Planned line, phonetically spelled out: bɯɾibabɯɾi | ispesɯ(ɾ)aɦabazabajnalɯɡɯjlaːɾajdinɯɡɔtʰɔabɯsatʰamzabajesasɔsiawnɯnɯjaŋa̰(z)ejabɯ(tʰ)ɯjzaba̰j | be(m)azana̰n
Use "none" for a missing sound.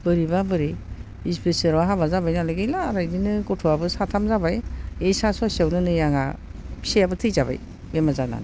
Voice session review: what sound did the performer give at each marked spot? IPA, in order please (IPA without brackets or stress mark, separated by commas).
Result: ɾ, s, tʰ, m